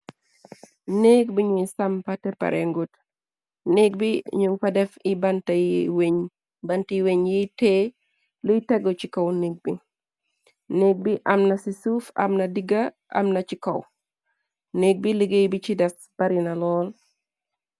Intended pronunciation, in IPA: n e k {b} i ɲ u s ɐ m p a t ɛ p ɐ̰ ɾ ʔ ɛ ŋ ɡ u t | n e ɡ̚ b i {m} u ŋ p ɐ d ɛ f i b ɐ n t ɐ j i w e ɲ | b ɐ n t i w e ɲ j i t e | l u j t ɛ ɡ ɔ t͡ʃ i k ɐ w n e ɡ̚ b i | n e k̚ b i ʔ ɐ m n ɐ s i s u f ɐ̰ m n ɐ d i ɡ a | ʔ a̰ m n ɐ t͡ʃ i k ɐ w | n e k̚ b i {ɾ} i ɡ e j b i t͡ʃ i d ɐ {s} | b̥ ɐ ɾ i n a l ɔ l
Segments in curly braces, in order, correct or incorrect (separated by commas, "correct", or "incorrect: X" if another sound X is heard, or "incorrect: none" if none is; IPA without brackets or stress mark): correct, incorrect: ɲ, incorrect: l, correct